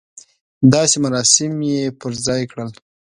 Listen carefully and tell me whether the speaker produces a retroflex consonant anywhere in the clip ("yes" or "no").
yes